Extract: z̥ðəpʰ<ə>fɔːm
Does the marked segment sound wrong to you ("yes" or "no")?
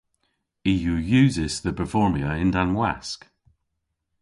no